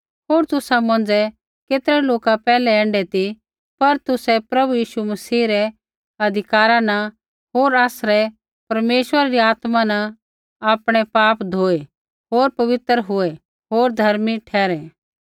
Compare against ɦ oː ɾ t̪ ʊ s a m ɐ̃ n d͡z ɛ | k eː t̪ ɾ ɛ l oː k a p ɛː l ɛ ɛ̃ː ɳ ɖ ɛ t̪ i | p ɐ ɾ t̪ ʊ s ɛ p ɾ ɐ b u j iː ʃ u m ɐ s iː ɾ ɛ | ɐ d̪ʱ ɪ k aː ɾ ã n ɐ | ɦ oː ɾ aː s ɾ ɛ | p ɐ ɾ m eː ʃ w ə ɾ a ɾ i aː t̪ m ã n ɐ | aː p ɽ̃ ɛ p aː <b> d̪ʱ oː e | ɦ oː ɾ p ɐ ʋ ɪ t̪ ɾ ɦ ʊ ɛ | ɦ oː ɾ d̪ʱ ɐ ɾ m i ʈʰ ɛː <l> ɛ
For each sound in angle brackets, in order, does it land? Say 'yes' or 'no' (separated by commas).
no, no